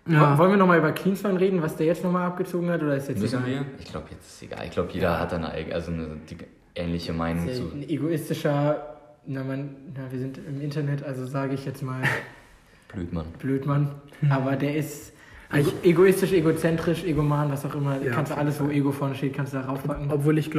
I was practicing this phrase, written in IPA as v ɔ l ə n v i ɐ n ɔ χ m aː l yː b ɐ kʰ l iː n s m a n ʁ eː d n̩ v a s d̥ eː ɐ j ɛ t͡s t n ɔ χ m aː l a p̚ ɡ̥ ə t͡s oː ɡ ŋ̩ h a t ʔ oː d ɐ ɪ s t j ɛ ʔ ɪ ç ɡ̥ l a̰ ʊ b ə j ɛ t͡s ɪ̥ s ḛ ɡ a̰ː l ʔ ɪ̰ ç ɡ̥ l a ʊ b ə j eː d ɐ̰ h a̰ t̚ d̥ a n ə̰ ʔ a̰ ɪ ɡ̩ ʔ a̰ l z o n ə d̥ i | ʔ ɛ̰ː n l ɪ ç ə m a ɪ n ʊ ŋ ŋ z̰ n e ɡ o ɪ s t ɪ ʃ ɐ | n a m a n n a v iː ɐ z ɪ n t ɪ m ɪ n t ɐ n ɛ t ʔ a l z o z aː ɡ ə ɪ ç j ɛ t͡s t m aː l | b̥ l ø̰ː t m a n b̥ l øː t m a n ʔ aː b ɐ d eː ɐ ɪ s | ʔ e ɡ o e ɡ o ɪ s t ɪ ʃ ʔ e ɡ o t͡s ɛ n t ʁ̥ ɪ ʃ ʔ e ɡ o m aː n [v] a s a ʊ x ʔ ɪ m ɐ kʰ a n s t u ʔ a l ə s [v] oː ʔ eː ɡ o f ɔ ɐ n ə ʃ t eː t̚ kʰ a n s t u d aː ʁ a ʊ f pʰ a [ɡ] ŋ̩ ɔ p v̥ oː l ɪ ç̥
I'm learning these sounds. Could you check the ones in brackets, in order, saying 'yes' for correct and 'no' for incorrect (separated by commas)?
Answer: yes, yes, no